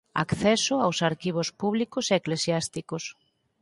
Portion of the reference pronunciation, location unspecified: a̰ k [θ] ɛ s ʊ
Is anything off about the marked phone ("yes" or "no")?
no